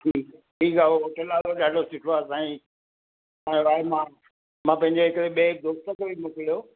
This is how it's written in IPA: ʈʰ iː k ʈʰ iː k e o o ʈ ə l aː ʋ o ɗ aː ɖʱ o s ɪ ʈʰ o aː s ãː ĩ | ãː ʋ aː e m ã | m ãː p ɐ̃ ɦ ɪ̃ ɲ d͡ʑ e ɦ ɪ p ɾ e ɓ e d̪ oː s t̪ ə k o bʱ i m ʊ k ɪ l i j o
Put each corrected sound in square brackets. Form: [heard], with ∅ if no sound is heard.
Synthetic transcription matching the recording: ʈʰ iː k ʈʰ iː k [a] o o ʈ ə l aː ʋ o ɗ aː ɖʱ o s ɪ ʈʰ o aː s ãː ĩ | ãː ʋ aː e m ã | m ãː p ɐ̃ ɦ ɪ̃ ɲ d͡ʑ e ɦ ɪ [k] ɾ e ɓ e d̪ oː s t̪ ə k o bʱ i m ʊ k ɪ l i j o